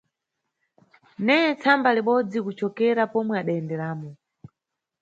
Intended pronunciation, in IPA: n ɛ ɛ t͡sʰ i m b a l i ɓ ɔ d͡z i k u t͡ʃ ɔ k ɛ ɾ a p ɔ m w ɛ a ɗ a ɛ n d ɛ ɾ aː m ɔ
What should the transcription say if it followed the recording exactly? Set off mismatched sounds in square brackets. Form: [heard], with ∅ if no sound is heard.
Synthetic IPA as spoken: n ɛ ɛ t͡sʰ [a] m b a l i ɓ ɔ d͡z i k u t͡ʃ ɔ k ɛ ɾ a p ɔ m w ɛ a ɗ a ɛ n d ɛ ɾ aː m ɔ

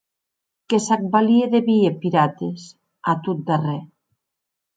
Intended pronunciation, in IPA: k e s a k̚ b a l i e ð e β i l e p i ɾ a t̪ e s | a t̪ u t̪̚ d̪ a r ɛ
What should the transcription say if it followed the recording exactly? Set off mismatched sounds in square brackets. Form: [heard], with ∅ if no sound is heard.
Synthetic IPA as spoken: k e s a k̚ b a l i e ð e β i [∅] e p i ɾ a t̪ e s | a t̪ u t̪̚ d̪ a r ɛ

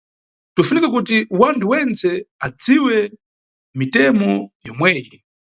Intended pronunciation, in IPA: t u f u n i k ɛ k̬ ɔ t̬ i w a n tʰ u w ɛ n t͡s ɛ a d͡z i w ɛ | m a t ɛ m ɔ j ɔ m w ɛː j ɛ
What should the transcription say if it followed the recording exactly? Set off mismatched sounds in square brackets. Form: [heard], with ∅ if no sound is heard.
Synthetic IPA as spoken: t u f u n i k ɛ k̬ [u] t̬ i w a n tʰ u w ɛ n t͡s ɛ a d͡z i w ɛ | m [i] t ɛ m ɔ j ɔ m w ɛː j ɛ

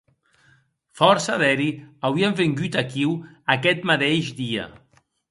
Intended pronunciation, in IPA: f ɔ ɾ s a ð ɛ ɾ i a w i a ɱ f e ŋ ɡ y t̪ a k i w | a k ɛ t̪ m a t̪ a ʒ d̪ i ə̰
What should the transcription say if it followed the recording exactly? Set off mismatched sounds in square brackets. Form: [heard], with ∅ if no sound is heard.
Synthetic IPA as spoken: f ɔ ɾ s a ð ɛ ɾ i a w i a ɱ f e ŋ ɡ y t̪ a k i w | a k ɛ t̪ m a t̪ [e] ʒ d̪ i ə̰

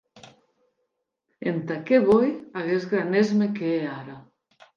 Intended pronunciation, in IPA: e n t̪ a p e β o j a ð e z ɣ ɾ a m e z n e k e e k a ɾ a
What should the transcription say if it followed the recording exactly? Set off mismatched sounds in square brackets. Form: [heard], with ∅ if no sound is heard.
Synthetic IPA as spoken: e n t̪ a [k] e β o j a [ɣ] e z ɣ ɾ a [n] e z [m] e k e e [∅] a ɾ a

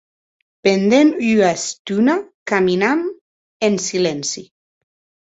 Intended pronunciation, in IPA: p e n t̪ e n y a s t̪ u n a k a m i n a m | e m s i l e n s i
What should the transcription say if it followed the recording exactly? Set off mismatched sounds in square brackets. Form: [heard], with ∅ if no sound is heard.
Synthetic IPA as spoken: p e n [d̪] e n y a s t̪ u n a k a m i n a m | e [n] s i l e n s i

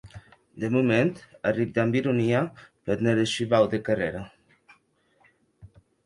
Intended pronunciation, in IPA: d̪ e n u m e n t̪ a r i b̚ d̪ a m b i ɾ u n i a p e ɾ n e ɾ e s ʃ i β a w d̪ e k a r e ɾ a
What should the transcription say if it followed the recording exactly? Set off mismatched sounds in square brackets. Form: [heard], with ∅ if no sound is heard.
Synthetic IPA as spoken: d̪ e [m] u m e n t̪ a r i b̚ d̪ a m b i ɾ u n i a p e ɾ n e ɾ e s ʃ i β a w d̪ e k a r e ɾ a

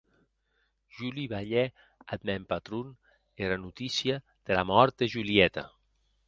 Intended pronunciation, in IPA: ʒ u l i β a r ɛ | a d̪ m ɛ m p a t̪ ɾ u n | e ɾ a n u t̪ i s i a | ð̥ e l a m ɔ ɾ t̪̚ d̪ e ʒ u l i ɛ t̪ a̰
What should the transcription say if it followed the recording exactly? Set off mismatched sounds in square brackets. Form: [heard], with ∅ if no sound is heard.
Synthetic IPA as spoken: ʒ u l i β a [ʎ] ɛ | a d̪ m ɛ m p a t̪ ɾ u n | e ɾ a n u t̪ i s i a | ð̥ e l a m ɔ ɾ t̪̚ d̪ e ʒ u l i ɛ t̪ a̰

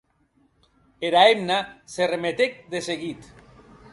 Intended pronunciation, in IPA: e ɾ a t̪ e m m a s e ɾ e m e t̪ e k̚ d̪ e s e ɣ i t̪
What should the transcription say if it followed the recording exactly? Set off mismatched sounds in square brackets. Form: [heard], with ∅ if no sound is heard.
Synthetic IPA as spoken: e ɾ a [∅] e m [n] a s e [r] e m e t̪ e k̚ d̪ e s e ɣ i t̪

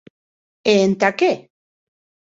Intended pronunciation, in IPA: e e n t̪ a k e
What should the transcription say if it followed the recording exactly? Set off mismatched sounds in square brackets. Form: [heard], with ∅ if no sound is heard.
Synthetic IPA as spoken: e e n t̪ a k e

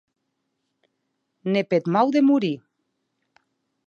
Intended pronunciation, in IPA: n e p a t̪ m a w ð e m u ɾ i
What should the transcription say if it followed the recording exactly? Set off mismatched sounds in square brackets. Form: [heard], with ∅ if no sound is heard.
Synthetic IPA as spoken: n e p [e] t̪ m a w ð e m u ɾ i

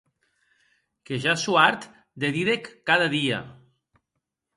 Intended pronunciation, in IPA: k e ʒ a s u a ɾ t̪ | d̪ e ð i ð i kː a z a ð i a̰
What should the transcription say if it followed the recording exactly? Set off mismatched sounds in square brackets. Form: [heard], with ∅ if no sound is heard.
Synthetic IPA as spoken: k e ʒ a s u a ɾ t̪ | d̪ e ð i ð [e] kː a [ð] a ð i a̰

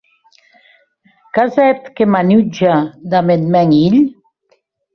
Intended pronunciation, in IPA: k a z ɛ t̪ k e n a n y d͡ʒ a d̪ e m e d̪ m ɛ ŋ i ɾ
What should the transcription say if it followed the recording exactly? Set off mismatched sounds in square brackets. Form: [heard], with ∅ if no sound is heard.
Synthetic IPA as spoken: k a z ɛ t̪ k e [m] a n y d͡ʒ a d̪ [a] m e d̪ m ɛ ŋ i [ʎ]

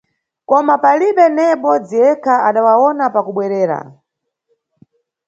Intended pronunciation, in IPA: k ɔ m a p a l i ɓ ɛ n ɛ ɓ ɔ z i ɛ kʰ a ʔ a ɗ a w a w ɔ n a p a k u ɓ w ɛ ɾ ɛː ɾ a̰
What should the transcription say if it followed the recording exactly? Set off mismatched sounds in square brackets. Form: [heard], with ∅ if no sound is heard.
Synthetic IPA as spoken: k ɔ m a p a l i ɓ ɛ n ɛ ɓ ɔ [d͡z] i ɛ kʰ a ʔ a ɗ a w a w ɔ n a p a k u ɓ w ɛ ɾ ɛː ɾ a̰

